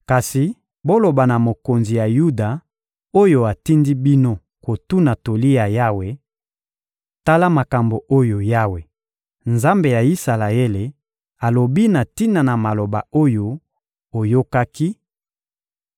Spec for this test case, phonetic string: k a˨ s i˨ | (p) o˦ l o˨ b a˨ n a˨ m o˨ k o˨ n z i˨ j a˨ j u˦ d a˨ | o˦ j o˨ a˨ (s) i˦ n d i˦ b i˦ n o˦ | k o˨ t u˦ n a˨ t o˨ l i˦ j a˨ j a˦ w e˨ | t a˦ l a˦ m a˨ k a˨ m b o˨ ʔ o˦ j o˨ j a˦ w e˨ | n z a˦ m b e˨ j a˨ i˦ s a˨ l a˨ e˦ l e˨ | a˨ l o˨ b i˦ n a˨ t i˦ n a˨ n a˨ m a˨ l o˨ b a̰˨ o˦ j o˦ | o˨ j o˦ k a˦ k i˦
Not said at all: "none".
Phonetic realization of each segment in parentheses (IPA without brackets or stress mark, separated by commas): b, t